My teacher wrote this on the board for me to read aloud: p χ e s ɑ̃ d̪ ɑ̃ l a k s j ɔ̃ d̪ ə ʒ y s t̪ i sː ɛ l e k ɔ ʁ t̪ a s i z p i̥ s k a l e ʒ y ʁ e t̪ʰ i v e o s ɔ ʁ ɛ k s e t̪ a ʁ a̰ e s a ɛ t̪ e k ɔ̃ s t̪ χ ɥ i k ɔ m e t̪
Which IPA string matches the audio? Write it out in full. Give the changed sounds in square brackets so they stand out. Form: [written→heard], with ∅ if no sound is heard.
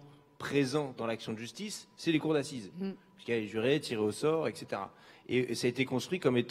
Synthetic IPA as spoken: p χ e [s→z] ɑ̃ d̪ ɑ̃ l a k s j ɔ̃ d̪ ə ʒ y s t̪ i sː ɛ l e k [ɔ→u] ʁ [t̪→d̪] a s i z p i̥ s k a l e ʒ y ʁ e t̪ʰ i [v→ʁ] e o s ɔ ʁ ɛ k s e t̪ [a→e] ʁ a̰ e s a [ɛ→e] t̪ e k ɔ̃ s t̪ χ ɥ i k ɔ m e t̪